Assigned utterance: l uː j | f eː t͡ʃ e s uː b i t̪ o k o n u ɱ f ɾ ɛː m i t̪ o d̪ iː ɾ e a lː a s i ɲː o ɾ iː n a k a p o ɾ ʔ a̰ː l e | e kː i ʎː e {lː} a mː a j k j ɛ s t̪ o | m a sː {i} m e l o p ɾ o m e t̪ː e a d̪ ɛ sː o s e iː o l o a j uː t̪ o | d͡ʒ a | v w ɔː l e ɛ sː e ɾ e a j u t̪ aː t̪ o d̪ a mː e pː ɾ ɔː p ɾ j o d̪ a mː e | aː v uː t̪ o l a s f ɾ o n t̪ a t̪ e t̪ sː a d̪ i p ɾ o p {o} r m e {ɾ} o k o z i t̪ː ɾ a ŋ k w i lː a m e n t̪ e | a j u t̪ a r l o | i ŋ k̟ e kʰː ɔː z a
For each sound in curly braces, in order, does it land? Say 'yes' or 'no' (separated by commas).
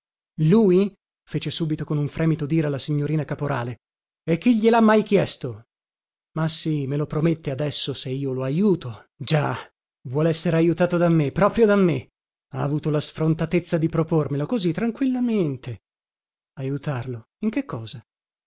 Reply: no, yes, yes, no